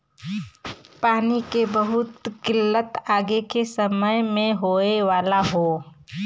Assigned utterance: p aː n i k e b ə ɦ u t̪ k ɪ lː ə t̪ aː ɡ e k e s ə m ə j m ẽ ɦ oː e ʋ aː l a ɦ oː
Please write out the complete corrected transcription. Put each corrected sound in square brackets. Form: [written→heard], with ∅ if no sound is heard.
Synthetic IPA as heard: p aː n i k e b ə ɦ [u→ʊ] t̪ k ɪ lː ə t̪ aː ɡ e k e s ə m ə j m ẽ ɦ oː e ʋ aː l a ɦ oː